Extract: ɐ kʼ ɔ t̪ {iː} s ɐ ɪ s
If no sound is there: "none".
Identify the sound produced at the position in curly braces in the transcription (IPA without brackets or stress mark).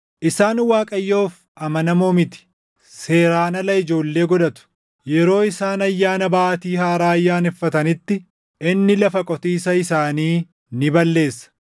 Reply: iː